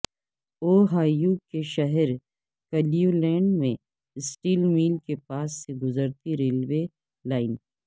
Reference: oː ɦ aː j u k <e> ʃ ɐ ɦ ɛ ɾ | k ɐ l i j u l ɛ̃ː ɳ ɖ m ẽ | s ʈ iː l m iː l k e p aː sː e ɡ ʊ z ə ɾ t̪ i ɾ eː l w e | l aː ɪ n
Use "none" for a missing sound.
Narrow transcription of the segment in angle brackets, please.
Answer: e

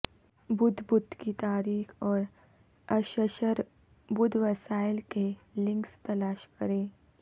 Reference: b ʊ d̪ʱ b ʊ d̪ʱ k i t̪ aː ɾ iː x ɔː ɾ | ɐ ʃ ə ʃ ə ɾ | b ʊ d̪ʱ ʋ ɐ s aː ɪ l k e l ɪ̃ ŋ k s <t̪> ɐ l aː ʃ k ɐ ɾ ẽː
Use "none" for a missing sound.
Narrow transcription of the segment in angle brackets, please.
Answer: t̪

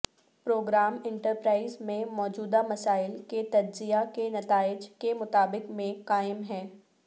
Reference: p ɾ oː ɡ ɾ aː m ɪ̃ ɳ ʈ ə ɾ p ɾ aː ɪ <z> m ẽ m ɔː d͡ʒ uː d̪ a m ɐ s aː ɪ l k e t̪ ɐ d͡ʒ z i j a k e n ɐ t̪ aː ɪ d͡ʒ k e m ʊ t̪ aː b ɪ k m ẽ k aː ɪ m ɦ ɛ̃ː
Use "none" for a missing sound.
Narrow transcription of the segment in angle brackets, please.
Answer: z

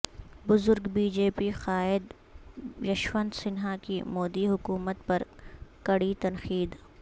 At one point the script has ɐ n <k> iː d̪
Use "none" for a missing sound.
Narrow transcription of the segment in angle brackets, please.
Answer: x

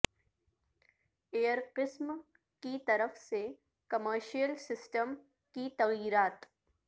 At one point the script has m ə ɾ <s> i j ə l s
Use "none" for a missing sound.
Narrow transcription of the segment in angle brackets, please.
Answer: ʃ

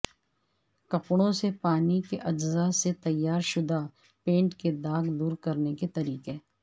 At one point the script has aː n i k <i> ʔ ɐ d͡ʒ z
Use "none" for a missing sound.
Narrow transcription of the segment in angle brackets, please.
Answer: e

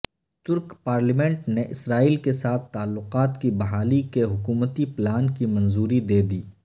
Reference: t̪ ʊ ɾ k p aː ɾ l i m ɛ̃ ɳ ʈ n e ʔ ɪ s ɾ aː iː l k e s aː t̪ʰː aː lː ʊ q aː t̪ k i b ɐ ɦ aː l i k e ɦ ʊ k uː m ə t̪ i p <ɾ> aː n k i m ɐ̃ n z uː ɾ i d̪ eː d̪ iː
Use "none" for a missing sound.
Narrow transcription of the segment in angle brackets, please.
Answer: l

